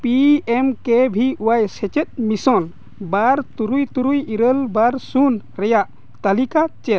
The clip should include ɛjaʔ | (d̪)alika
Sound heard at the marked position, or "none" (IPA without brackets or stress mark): t̪